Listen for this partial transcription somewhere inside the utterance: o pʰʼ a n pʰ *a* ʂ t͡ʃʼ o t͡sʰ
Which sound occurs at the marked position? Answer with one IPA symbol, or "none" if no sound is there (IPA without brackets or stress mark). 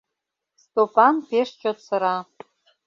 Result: e